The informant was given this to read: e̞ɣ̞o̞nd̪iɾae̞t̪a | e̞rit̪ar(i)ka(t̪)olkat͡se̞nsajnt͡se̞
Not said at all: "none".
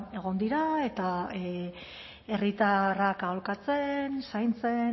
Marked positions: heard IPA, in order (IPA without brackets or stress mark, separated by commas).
a, none